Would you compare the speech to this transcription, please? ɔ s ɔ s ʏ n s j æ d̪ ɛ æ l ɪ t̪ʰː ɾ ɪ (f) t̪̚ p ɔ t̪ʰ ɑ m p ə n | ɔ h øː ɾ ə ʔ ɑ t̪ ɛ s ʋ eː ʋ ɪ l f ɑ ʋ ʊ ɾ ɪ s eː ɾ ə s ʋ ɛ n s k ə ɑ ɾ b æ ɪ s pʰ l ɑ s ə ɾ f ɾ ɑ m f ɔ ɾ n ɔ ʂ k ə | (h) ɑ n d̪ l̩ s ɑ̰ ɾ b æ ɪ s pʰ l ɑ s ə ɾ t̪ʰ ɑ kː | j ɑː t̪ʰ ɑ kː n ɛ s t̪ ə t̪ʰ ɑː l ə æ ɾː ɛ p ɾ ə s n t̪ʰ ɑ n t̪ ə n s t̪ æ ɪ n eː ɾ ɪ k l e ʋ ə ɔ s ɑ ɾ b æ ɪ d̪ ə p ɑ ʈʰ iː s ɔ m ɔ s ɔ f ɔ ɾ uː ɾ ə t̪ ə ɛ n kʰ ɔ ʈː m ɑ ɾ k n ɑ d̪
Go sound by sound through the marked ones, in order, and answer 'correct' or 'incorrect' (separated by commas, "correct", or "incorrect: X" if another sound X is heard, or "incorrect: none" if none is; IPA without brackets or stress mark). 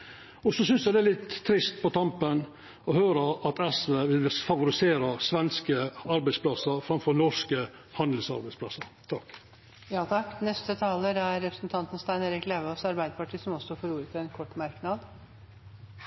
incorrect: s, correct